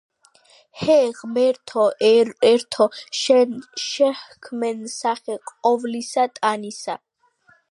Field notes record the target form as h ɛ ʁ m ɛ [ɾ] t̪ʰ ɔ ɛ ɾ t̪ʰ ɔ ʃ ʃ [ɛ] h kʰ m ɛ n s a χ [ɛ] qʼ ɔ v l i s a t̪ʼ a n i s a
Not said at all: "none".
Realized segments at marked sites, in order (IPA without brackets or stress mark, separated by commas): ɾ, ɛ, ɛ